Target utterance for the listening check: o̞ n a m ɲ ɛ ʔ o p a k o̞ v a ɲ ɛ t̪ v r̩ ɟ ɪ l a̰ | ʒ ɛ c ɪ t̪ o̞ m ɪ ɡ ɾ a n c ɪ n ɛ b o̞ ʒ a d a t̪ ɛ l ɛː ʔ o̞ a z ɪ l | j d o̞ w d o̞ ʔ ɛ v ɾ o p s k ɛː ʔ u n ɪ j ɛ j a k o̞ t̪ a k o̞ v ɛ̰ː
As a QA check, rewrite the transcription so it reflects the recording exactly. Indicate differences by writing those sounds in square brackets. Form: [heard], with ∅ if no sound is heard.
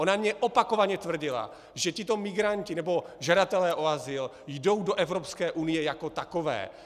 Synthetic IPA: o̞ n a m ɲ ɛ ʔ o p a k o̞ v a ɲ ɛ t̪ v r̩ ɟ ɪ l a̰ | ʒ ɛ c ɪ t̪ o̞ m ɪ ɡ ɾ a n c ɪ n ɛ b o̞ ʒ a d a t̪ ɛ l ɛː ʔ o̞ a z ɪ l | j d o̞ w d o̞ ʔ ɛ v ɾ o p s k ɛː ʔ u n ɪ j ɛ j a k o̞ t̪ a k o̞ v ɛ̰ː